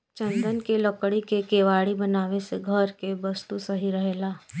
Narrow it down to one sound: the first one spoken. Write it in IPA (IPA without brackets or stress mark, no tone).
t͡ʃ